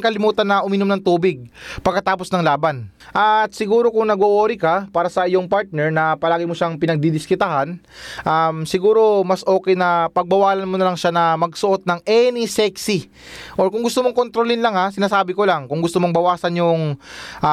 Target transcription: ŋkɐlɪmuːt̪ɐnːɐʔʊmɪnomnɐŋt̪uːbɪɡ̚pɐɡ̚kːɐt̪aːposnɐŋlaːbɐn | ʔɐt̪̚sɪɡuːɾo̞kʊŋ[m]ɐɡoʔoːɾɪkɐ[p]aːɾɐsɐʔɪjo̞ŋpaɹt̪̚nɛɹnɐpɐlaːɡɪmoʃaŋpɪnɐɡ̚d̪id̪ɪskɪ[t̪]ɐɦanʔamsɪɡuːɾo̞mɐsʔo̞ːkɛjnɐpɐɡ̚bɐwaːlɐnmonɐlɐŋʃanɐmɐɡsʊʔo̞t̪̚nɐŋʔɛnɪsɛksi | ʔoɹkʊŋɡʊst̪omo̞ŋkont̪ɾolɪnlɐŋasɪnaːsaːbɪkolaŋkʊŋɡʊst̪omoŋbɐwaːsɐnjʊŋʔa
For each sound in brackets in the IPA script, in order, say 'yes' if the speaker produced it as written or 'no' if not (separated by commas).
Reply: no, yes, yes